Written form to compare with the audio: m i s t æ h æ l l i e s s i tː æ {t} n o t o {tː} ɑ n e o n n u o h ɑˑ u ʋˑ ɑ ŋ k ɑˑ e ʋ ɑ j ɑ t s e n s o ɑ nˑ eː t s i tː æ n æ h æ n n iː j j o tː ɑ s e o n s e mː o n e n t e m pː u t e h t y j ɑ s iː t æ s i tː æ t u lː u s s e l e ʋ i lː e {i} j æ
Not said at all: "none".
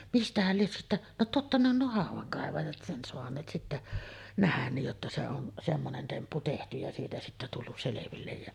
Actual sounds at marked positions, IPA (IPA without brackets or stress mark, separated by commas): ʔ, tː, j